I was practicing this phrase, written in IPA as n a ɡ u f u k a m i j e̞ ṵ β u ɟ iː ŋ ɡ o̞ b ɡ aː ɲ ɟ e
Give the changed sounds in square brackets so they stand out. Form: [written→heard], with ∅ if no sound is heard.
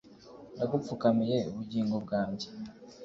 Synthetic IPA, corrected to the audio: n a ɡ u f u k a m i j e̞ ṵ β u ɟ iː ŋ ɡ o̞ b ɡ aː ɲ ɟ e